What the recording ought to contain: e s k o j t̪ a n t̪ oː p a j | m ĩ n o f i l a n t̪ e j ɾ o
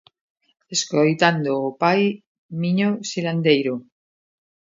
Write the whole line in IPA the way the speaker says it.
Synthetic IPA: e s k o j t̪ a n d̪ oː p a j | m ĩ ɲ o s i l a n d̪ e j ɾ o

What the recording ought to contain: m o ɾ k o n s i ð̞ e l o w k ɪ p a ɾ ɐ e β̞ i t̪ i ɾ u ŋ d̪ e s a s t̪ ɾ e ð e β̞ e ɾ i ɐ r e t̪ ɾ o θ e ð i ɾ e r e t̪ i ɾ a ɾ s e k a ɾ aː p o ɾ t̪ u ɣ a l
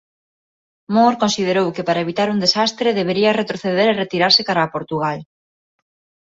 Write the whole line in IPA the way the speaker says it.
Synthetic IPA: m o ɾ k o n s i ð̞ e ɾ o w k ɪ p a ɾ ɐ e β̞ i t̪ a ɾ u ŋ d̪ e s a s t̪ ɾ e ð e β̞ e ɾ i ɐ r e t̪ ɾ o θ e ð e ɾ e r e t̪ i ɾ a ɾ s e k a ɾ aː p o ɾ t̪ u ɣ a l

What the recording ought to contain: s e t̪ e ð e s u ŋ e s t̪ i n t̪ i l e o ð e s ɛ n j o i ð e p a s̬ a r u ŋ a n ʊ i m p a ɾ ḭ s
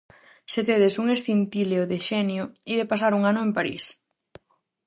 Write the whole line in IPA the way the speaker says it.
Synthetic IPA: s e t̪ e ð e s u ŋ e s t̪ i n t̪ i l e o ð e ʃ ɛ n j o i ð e p a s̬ a ɾ u ŋ a n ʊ e m p a ɾ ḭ s

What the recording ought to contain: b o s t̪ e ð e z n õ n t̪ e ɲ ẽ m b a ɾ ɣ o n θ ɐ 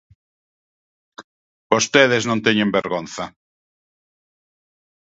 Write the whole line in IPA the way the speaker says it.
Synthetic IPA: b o s t̪ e ð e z n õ n t̪ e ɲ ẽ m b e ɾ ɣ o n θ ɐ

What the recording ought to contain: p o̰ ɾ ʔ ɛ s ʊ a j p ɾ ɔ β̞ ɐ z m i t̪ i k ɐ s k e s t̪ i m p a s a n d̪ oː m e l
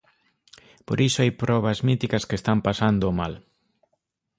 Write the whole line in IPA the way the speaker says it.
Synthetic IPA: p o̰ ɾ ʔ i s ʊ a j p ɾ ɔ β̞ ɐ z m i t̪ i k ɐ s k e s t̪ a m p a s a n d̪ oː m a l

